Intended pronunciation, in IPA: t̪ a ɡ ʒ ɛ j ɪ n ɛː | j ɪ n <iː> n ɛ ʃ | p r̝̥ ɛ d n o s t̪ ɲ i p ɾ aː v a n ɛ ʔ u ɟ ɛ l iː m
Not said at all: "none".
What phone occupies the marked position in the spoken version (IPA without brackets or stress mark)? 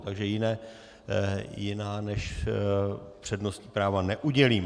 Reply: aː